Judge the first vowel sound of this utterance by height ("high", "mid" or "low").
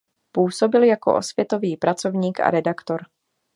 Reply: high